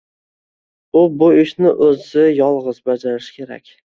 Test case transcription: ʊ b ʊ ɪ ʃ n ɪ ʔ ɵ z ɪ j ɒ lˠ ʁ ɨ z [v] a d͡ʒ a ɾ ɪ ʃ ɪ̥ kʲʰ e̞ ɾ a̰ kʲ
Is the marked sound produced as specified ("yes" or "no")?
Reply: no